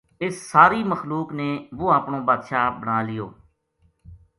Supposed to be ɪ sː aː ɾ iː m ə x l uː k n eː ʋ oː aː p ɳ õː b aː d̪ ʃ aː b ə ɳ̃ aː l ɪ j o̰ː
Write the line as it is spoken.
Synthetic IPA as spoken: ɪ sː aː ɾ iː m ə x l uː k n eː ʋ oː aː p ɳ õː b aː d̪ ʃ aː b ə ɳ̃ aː l ɪ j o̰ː